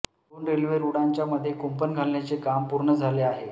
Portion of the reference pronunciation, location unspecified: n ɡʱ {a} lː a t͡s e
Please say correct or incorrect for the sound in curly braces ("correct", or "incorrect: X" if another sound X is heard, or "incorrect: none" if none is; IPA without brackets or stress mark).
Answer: correct